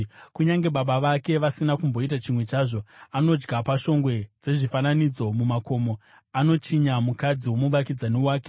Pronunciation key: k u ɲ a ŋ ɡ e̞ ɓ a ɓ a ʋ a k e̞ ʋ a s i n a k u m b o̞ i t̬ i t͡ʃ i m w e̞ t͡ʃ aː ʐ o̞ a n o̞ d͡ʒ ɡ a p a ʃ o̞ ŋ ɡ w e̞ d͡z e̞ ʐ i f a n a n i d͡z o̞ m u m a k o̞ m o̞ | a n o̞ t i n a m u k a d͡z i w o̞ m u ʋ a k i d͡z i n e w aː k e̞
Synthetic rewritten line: k u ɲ a ŋ ɡ e̞ ɓ a ɓ a ʋ a k e̞ ʋ a s i n a k u m b o̞ i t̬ a t͡ʃ i m w e̞ t͡ʃ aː ʐ o̞ a n o̞ d͡ʒ ɡ a p a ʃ o̞ ŋ ɡ w e̞ d͡z e̞ ʐ i f a n a n i d͡z o̞ m u m a k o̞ m o̞ | a n o̞ t͡ʃ i ɲ a m u k a d͡z i w o̞ m u ʋ a k i d͡z a n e w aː k e̞